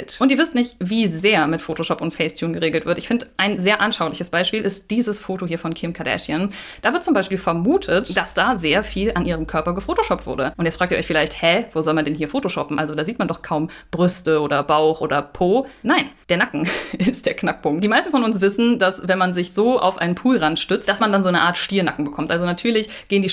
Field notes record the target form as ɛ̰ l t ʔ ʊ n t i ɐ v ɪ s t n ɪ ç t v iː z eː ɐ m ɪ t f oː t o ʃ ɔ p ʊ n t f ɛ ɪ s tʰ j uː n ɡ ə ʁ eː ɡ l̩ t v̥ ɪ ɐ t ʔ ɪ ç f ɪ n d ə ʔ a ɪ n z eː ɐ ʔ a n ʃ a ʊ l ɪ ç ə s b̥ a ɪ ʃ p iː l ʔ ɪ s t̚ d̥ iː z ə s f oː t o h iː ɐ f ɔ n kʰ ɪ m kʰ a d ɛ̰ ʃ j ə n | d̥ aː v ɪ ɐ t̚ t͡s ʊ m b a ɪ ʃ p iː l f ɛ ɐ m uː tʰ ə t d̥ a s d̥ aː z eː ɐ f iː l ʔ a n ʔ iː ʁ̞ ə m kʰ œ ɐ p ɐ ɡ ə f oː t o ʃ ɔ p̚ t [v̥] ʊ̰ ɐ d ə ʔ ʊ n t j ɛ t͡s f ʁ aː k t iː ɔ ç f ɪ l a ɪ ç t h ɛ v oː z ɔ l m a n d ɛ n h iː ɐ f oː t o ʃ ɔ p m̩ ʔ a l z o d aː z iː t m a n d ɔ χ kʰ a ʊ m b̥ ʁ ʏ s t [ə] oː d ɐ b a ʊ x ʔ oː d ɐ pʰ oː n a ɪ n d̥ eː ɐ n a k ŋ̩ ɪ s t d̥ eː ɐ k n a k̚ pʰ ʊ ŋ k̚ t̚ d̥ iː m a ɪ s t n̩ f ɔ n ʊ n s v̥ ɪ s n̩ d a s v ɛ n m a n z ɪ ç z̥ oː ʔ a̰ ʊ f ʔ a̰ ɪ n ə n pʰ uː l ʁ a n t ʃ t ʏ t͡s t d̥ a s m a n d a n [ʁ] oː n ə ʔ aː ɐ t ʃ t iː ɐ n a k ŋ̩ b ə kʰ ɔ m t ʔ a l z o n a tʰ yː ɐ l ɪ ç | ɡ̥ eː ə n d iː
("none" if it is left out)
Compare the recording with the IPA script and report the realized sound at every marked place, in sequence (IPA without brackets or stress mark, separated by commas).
v̥, ə, z